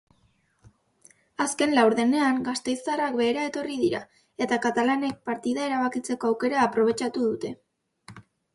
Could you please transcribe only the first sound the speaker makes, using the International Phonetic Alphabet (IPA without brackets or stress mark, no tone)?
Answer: a